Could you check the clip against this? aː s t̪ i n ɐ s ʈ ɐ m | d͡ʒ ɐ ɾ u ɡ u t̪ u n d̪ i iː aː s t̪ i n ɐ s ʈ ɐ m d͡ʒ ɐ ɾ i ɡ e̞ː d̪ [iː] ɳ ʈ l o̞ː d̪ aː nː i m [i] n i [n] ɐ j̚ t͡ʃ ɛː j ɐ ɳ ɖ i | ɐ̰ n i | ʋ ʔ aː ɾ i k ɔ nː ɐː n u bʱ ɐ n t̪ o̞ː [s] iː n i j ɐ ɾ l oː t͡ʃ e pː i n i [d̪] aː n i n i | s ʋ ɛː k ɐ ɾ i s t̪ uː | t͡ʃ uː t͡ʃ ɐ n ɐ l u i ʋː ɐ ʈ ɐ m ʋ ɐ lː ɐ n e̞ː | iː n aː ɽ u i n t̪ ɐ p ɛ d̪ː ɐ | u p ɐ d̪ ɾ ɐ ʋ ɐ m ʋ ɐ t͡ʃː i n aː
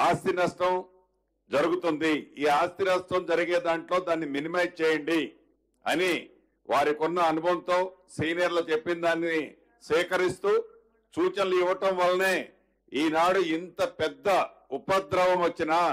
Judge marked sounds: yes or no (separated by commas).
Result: no, yes, no, yes, yes